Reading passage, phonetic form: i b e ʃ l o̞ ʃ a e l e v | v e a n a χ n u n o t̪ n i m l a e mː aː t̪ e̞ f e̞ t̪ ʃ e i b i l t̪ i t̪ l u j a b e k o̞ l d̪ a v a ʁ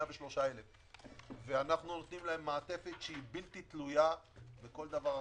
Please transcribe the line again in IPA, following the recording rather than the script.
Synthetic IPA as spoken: a b e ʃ l o̞ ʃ a e l e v | v e a n a χ n u n o t̪ n i m l a e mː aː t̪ e̞ f e̞ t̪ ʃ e i b i l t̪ i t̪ l u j a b e k o̞ l d̪ a v a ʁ